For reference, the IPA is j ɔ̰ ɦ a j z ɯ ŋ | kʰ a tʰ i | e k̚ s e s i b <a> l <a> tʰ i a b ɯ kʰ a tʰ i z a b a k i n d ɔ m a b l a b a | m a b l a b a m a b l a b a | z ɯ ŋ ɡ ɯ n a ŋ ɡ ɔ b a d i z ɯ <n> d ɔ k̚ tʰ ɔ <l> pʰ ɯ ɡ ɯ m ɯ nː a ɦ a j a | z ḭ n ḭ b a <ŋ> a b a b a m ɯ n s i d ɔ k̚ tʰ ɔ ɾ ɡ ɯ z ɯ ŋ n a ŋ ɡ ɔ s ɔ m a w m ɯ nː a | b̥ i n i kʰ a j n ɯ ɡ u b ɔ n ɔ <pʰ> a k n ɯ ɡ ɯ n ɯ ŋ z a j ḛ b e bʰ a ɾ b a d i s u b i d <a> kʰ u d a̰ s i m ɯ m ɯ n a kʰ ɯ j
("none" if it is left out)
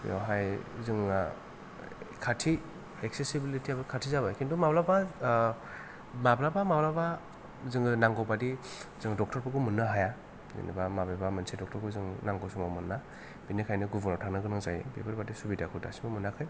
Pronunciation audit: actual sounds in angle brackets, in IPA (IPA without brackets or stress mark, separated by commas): i, i, ŋ, ɾ, m, tʰ, a